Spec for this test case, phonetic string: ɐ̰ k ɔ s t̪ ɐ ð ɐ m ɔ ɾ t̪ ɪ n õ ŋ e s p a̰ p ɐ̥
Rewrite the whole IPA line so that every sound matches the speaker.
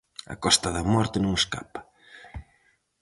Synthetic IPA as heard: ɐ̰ k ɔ s t̪ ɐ ð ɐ m ɔ ɾ t̪ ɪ n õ ŋ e s k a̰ p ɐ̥